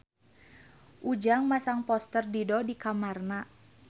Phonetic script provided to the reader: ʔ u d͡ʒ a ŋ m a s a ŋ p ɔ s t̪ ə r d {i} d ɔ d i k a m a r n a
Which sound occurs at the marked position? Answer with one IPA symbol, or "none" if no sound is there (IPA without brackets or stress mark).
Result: i